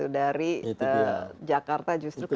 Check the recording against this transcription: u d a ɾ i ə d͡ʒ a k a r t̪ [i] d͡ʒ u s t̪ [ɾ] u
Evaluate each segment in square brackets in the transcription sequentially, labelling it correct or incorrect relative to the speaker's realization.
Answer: incorrect: a, correct

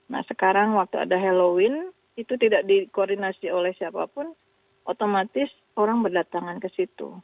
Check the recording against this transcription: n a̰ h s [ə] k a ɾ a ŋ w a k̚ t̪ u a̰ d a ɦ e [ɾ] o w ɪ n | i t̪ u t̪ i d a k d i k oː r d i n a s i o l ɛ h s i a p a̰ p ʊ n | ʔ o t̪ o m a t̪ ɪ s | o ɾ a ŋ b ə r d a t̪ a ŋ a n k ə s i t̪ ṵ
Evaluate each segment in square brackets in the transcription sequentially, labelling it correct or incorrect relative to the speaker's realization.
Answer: correct, incorrect: l

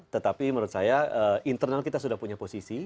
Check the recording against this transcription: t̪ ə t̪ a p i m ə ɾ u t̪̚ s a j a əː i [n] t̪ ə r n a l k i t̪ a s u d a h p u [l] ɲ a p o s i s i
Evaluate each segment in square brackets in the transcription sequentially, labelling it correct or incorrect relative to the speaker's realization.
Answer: correct, incorrect: none

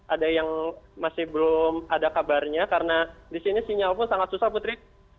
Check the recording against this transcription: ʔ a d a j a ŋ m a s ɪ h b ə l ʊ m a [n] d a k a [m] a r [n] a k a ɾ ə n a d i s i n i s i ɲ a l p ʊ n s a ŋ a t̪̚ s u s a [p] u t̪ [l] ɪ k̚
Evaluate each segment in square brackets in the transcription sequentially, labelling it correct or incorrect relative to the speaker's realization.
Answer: incorrect: none, incorrect: b, incorrect: ɲ, correct, incorrect: ɾ

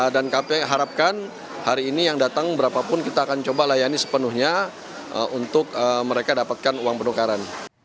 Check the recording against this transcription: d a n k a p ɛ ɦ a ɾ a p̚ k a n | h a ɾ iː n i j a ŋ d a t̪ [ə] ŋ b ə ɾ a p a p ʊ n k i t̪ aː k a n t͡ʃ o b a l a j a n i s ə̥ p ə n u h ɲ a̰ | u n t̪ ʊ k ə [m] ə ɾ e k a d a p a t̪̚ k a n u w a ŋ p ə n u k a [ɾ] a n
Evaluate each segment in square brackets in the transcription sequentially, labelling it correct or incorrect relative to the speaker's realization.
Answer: incorrect: a, correct, correct

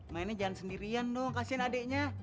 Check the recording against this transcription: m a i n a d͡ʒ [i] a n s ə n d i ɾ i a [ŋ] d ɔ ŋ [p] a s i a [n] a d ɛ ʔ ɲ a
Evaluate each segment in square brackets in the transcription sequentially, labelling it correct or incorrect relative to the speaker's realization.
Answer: incorrect: a, incorrect: n, incorrect: k, correct

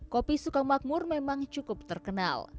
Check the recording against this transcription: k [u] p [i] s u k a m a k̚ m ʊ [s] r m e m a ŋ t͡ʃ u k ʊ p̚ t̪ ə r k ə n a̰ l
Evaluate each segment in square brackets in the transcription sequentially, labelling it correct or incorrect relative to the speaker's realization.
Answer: incorrect: o, correct, incorrect: none

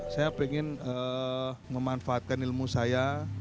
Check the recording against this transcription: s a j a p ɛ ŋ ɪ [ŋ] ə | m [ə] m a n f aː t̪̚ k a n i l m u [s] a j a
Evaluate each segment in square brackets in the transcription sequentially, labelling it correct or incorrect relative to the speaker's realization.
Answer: incorrect: n, correct, correct

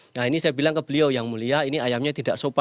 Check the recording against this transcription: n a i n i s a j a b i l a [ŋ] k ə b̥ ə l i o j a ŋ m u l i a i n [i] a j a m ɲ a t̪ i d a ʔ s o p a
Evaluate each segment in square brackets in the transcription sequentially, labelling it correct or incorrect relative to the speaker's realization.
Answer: correct, correct

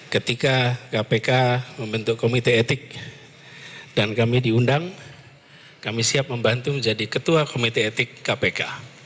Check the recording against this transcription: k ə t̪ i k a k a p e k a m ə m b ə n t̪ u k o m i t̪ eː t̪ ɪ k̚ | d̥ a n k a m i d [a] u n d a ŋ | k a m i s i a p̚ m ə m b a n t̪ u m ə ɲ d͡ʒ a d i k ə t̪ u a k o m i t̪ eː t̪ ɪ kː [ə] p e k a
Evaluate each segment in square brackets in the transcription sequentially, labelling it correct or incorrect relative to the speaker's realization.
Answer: incorrect: i, incorrect: a

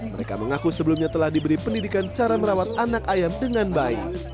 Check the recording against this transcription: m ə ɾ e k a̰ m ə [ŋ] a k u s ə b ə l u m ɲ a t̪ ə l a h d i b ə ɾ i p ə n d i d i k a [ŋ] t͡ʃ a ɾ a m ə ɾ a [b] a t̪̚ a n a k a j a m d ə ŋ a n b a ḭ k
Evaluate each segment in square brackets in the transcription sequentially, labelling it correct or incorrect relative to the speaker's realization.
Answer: correct, incorrect: n, incorrect: w

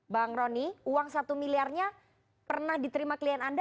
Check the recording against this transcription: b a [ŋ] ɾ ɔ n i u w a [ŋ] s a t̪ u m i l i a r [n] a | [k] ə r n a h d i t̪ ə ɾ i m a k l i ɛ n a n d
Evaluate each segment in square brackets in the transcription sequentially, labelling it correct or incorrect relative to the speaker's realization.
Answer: correct, correct, incorrect: ɲ, incorrect: p

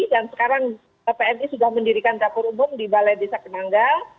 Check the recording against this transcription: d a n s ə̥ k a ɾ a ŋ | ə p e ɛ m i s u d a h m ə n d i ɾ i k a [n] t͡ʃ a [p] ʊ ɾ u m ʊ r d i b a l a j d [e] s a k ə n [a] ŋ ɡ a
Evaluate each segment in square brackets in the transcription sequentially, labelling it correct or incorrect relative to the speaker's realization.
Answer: correct, correct, correct, correct

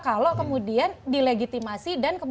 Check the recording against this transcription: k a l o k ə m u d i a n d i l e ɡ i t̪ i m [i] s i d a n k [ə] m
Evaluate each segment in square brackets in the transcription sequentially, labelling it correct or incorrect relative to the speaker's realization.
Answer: incorrect: a, correct

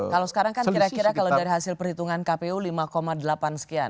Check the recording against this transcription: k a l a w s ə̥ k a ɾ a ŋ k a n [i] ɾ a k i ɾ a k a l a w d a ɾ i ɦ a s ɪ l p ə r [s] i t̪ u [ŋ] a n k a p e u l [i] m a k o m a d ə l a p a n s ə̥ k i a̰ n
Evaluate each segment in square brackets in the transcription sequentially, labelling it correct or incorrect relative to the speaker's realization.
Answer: correct, incorrect: h, correct, correct

